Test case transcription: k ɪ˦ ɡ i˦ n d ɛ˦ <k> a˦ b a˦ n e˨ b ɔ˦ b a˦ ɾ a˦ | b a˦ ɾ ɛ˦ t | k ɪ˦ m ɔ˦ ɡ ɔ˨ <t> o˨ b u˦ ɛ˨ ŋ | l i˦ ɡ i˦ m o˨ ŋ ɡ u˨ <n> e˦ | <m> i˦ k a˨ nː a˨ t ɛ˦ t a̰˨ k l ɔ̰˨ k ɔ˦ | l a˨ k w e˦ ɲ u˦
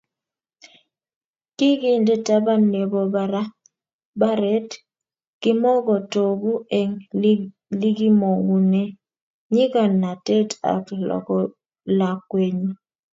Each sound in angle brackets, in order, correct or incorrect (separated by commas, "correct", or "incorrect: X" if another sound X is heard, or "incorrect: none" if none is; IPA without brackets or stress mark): incorrect: t, correct, correct, incorrect: ɲ